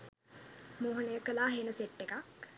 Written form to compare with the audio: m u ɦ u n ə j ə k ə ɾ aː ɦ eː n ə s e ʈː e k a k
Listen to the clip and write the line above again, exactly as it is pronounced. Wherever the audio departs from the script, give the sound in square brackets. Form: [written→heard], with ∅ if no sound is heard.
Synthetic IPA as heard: m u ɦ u n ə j ə k ə [ɾ→l] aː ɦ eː n ə s e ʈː e k a k